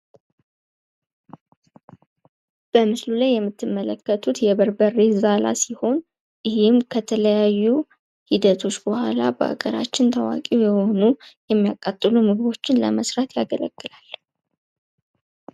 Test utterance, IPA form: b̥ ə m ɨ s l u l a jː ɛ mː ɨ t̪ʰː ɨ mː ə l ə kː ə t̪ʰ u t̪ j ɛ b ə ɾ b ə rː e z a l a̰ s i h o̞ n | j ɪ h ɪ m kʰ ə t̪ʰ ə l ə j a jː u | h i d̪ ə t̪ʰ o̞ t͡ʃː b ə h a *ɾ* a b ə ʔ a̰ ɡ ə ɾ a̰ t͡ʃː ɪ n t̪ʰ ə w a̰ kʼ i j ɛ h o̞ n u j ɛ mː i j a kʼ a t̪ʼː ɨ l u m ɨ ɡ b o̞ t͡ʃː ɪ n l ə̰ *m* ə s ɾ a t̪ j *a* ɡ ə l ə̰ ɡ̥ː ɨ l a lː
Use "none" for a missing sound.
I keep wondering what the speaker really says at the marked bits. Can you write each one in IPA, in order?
l, m, a

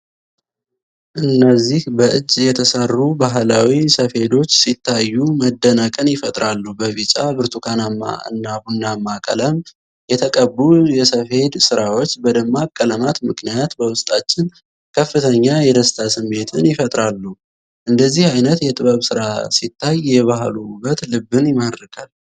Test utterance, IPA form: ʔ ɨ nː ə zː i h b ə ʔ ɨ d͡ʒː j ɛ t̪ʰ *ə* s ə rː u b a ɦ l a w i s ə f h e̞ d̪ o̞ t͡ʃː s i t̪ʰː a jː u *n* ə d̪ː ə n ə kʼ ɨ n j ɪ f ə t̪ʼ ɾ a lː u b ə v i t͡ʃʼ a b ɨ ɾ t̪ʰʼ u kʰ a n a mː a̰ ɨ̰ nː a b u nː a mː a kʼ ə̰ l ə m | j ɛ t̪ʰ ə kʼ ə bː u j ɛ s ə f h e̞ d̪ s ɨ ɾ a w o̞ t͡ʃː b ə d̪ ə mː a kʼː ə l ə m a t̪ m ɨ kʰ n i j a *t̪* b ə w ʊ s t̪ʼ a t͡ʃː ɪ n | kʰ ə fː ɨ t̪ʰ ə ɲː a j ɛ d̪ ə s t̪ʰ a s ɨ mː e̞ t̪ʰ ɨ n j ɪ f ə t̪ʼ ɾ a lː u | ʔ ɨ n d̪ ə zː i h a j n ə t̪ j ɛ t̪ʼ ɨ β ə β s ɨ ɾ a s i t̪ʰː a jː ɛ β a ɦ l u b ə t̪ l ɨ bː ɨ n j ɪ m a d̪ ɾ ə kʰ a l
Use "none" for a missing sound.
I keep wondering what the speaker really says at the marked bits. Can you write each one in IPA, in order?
ə, m, t̪

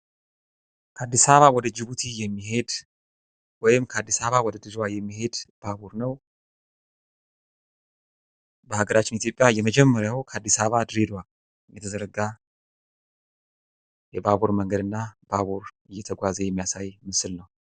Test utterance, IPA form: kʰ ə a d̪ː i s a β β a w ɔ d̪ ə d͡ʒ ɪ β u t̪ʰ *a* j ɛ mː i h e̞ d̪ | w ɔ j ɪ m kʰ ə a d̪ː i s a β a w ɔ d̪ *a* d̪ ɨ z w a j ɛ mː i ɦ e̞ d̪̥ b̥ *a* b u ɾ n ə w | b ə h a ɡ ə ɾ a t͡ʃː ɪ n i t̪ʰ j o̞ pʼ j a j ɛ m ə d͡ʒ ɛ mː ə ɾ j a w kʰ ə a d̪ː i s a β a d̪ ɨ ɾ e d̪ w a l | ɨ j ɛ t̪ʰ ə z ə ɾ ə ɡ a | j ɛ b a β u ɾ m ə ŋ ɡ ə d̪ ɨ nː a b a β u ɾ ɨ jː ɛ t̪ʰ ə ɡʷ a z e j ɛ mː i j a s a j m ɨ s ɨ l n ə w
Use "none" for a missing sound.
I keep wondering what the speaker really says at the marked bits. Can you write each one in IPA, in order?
i, ə, a

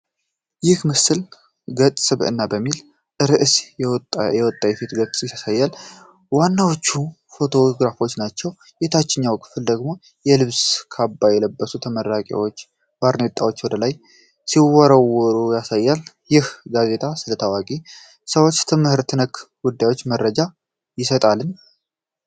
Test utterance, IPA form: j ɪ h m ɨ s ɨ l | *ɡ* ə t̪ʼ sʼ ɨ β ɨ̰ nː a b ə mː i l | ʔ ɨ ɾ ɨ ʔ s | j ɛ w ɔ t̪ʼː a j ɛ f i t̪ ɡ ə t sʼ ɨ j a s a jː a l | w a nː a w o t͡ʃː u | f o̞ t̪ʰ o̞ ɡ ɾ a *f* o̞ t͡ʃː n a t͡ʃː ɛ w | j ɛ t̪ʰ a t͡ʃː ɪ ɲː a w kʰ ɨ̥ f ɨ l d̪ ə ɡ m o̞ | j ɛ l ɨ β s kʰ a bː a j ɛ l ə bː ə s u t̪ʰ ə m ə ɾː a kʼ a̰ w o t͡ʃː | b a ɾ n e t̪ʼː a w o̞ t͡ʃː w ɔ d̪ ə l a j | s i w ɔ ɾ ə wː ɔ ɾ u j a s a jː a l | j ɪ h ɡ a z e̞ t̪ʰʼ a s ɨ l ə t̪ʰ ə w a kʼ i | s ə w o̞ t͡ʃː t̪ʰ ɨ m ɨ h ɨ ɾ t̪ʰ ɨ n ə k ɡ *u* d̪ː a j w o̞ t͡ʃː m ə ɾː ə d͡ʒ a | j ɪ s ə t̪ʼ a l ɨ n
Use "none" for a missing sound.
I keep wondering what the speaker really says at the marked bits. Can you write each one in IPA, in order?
ɡ, f, u

